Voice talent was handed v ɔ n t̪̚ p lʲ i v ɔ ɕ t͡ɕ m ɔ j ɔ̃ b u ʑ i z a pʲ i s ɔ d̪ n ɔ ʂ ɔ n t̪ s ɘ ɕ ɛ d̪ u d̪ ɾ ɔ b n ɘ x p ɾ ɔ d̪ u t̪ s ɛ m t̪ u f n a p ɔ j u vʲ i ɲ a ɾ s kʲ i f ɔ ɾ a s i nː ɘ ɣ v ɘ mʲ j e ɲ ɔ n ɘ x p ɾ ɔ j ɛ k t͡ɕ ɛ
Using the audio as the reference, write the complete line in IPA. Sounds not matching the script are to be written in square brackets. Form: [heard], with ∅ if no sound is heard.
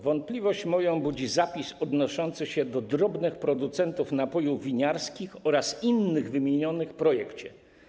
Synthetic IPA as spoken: v ɔ n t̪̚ p lʲ i v ɔ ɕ t͡ɕ m ɔ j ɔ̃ b u [d͡ʑ] i z a pʲ i s ɔ d̪ n ɔ ʂ ɔ n t̪ s ɘ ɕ ɛ d̪ [ɔ] d̪ ɾ ɔ b n ɘ x p ɾ ɔ d̪ u t̪ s ɛ [n] t̪ u f n a p ɔ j u vʲ i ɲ a ɾ s kʲ i [x] ɔ ɾ a s i nː ɘ ɣ v ɘ mʲ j e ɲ ɔ n ɘ x p ɾ ɔ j ɛ k t͡ɕ ɛ